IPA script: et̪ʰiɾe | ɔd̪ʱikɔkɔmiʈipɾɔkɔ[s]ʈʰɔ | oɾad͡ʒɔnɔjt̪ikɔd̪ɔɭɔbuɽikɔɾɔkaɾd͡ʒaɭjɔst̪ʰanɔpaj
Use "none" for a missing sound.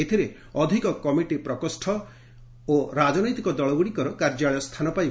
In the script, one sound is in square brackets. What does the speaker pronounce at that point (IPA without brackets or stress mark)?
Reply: s